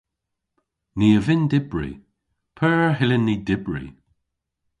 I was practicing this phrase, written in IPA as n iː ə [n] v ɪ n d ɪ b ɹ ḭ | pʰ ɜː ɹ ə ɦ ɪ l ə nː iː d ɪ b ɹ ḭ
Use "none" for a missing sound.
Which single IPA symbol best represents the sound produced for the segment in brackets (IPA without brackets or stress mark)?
none